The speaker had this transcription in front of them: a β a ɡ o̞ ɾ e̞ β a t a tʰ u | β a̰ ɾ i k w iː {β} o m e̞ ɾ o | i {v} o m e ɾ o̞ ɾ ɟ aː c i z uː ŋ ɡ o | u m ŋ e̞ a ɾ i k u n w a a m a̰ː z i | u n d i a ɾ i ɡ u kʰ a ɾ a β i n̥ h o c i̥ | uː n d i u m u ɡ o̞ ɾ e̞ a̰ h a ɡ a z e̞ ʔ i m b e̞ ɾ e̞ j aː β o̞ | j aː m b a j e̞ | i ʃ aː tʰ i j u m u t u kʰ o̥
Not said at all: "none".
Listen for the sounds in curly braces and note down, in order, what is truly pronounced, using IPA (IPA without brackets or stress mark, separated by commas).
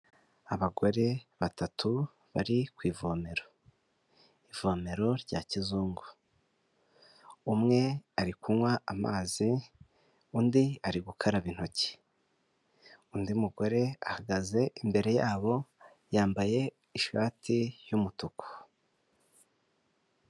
v, v